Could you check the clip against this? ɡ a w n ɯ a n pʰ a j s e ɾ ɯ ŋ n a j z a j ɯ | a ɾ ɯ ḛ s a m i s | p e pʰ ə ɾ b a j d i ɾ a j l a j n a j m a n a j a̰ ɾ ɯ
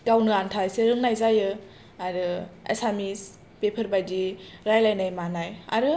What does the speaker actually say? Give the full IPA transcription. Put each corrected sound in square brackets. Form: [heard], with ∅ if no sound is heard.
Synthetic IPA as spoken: ɡ a w n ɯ a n [tʰ] a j s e ɾ ɯ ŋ n a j z a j ɯ | a ɾ ɯ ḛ s a m i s | p e pʰ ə ɾ b a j d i ɾ a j l a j n a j m a n a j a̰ ɾ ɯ